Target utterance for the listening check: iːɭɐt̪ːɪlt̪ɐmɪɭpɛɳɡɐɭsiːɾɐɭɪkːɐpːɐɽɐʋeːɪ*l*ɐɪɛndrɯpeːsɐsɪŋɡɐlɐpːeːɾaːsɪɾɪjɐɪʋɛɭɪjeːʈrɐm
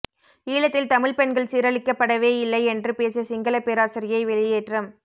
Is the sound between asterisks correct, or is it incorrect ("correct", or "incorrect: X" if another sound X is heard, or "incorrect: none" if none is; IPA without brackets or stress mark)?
incorrect: lː